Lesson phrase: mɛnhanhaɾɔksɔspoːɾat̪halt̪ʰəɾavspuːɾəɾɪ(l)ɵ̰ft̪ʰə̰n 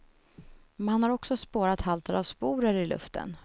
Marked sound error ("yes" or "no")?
no